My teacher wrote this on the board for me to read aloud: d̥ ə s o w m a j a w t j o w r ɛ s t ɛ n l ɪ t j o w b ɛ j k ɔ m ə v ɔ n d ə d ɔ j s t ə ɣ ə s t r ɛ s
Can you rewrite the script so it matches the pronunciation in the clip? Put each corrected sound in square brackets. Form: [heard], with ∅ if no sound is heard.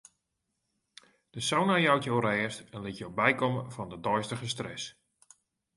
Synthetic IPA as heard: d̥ ə s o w [n] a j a w t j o w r [ɛː] s t ɛ n l ɪ t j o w b ɛ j k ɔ m ə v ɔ n d ə d ɔ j s t ə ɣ ə s t r ɛ s